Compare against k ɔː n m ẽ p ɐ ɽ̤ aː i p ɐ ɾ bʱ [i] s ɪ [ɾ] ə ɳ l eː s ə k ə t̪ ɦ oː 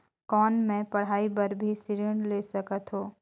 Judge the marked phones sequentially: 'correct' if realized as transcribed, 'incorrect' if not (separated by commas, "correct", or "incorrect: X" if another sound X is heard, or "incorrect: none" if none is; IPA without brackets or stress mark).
correct, correct